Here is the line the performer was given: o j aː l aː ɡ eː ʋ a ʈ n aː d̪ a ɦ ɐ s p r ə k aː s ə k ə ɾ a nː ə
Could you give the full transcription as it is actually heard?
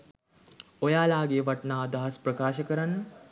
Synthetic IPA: o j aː l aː ɡ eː ʋ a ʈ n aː d̪ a ɦ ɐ s p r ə k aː ʃ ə k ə ɾ a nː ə

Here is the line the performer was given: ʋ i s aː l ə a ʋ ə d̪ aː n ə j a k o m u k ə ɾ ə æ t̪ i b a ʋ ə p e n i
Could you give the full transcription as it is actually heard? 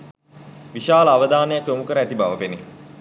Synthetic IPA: ʋ i ʃ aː l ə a ʋ ə d̪ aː n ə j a k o m u k ə ɾ ə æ t̪ i b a ʋ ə p e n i

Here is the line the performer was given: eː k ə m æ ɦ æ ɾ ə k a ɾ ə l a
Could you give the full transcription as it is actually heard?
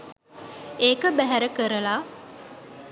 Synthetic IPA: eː k ə b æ ɦ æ ɾ ə k ə ɾ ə l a

